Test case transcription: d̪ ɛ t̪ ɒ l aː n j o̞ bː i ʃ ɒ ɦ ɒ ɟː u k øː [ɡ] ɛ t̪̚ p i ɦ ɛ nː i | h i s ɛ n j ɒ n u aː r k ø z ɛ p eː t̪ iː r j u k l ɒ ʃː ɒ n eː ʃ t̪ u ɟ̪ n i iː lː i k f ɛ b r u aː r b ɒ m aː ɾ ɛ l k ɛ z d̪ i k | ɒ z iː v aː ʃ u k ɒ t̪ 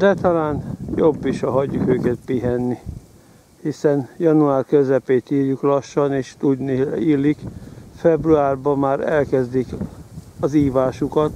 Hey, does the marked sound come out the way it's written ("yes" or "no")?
no